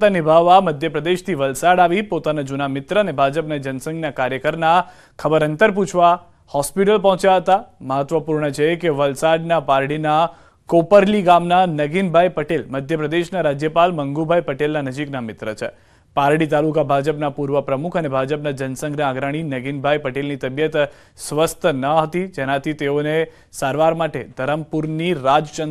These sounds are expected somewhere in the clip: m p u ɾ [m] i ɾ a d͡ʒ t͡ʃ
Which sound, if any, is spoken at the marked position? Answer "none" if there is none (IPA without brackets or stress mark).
n